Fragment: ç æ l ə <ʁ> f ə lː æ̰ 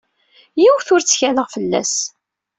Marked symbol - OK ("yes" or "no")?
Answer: yes